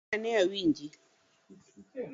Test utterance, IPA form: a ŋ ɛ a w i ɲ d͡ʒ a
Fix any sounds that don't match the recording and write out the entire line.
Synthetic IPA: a n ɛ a w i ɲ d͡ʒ i